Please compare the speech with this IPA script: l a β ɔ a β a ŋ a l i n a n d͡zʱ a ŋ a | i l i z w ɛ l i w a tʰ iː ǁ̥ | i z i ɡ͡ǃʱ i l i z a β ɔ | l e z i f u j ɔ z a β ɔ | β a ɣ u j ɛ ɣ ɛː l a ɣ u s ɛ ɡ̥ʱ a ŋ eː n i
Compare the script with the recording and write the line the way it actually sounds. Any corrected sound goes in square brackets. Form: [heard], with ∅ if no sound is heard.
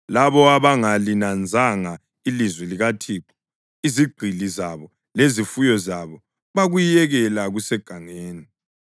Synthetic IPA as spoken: l a β ɔ a β a ŋ a l i n a n d͡zʱ a ŋ a | i l i z w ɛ l i [ɣ] a tʰ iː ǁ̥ | i z i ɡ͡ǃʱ i l i z a β ɔ | l e z i f u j ɔ z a β ɔ | β a ɣ u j ɛ ɣ [ɛ] l a ɣ u s ɛ ɡ̥ʱ a ŋ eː n i